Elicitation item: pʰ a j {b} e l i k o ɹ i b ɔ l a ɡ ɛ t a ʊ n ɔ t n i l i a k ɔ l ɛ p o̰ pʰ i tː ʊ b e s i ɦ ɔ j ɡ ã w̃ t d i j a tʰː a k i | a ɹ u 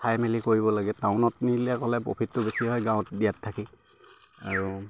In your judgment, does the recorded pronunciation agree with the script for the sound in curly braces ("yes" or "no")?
no